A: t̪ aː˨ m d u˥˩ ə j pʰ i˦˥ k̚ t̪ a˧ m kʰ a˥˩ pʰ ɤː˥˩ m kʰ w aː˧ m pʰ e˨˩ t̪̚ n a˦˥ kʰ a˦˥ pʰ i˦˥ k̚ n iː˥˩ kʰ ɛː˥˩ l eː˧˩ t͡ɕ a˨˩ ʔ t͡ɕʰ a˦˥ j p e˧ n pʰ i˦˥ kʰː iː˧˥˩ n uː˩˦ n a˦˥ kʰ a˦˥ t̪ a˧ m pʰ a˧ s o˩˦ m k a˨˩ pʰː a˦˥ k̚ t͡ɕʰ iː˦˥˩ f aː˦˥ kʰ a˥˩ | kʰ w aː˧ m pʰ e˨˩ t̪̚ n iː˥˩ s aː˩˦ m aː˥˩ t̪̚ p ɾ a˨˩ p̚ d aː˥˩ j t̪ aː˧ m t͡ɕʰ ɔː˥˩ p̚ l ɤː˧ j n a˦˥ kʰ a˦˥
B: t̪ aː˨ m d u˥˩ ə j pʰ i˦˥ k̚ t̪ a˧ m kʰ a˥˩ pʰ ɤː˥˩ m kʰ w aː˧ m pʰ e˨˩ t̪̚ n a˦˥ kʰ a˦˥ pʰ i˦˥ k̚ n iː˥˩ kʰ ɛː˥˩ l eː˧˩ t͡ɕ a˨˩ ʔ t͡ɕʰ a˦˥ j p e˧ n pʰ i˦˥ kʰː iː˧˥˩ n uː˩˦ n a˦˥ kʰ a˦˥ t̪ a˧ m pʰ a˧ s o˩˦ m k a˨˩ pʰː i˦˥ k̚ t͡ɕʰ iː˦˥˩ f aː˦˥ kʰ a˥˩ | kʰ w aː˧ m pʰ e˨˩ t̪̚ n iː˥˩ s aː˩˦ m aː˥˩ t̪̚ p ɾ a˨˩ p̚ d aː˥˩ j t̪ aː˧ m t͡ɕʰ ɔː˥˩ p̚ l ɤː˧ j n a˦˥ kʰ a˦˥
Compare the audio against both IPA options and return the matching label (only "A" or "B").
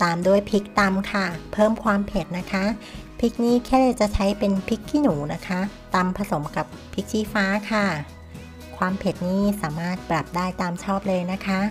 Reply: B